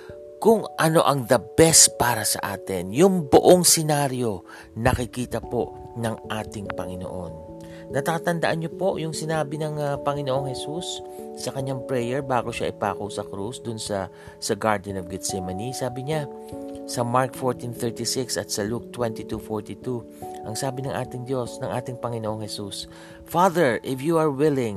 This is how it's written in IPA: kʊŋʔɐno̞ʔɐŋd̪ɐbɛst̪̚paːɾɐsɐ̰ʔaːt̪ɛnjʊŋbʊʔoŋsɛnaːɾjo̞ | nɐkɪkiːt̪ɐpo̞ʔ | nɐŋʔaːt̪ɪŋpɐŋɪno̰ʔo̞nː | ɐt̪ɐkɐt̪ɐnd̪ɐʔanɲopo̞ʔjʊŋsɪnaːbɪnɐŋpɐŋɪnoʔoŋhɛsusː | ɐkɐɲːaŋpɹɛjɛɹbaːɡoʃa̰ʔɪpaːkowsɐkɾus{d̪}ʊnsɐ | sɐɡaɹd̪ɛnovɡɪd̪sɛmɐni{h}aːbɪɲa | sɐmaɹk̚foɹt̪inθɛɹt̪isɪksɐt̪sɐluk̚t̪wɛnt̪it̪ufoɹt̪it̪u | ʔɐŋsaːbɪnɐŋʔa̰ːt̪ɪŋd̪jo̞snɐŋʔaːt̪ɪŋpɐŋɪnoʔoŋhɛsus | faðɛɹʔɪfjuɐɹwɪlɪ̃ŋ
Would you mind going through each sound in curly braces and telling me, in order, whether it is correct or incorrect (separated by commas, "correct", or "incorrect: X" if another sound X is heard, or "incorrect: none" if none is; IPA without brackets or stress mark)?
correct, incorrect: s